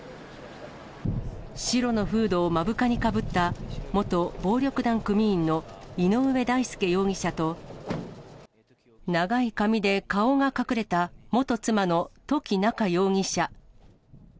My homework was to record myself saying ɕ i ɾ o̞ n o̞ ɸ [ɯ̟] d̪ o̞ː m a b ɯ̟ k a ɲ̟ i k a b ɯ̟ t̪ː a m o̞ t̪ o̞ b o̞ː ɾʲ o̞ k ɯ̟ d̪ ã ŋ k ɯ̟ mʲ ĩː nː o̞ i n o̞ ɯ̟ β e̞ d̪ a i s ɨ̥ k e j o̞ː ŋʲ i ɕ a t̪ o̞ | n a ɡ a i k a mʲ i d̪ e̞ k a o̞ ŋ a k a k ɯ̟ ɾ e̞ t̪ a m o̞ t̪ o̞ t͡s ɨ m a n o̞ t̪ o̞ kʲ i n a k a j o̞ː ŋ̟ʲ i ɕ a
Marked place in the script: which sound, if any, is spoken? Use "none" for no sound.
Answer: ɯ̟ː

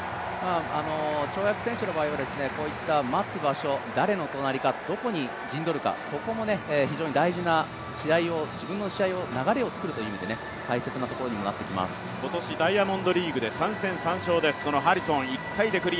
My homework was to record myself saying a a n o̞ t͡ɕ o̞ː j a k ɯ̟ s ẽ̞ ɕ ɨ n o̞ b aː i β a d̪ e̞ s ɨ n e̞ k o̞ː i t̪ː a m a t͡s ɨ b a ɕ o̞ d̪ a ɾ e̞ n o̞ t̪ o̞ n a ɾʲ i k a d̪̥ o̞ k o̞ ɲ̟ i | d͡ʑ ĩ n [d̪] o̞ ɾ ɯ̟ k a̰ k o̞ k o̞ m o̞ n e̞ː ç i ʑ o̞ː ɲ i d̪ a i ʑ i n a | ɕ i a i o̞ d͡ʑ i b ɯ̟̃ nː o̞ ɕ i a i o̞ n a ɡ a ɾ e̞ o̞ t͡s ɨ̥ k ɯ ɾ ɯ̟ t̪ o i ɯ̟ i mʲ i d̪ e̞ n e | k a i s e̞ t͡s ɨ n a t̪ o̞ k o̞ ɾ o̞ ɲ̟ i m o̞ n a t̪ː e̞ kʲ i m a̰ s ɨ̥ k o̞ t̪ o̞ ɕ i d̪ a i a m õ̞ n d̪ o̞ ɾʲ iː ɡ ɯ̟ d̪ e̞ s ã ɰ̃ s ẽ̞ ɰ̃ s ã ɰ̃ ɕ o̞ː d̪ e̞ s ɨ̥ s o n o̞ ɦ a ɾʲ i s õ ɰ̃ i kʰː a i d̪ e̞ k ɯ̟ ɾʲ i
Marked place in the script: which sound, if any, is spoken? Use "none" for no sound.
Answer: d̪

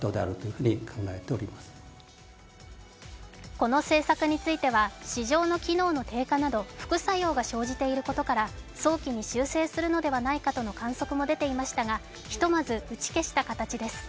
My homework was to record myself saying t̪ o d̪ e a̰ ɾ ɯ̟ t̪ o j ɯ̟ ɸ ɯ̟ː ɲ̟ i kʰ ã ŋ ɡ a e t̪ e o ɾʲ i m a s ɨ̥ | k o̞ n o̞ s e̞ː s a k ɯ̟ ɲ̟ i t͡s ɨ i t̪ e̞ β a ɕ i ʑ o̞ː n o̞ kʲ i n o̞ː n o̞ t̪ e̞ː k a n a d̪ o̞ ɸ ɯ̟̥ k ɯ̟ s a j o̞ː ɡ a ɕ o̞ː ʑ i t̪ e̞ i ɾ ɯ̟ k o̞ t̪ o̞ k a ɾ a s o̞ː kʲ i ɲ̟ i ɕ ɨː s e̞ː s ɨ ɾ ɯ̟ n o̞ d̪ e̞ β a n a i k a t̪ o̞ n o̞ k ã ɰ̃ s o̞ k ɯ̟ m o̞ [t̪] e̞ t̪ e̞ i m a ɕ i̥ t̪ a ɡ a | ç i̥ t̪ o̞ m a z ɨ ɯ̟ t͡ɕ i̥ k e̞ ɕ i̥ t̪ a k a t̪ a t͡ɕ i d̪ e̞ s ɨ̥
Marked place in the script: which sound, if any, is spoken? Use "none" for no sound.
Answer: d̪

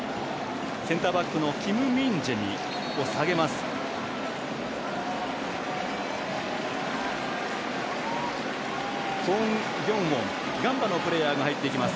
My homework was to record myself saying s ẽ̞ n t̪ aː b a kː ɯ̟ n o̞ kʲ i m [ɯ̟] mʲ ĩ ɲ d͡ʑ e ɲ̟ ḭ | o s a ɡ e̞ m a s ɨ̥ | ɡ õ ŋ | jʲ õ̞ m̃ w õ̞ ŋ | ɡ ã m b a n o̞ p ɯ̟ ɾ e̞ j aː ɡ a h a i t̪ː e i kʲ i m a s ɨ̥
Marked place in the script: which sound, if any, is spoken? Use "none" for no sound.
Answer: ɯ̟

